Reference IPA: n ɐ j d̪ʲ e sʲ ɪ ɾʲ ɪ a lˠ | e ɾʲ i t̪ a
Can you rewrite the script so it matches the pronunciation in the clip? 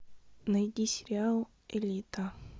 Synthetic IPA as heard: n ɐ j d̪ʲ i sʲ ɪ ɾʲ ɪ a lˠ | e lʲ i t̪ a